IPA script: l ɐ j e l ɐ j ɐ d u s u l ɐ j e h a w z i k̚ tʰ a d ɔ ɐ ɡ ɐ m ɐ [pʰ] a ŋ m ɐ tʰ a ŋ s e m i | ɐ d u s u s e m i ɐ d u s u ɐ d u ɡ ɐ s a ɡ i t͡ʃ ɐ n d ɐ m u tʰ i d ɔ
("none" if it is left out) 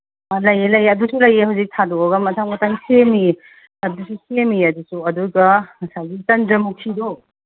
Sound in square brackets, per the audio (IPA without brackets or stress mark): tʰ